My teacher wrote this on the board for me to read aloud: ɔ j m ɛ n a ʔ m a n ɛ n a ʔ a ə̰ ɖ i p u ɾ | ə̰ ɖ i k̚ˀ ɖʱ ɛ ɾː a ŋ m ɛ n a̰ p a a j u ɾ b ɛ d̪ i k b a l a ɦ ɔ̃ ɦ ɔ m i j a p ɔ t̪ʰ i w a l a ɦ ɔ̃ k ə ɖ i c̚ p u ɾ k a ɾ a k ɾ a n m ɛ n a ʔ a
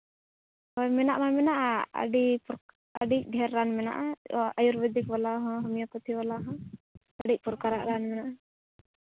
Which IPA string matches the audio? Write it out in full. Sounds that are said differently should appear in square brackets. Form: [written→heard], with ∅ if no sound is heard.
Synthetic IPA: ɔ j m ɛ n a ʔ m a [n→m] ɛ n a ʔ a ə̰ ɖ i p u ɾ | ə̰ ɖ i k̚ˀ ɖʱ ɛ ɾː a [ŋ→n] m ɛ n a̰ [p→ʔ] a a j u ɾ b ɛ d̪ i k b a l a ɦ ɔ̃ ɦ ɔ m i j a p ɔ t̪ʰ i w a l a ɦ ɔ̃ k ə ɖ i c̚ p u ɾ k a ɾ a [k→ʔ] ɾ a n m ɛ n a ʔ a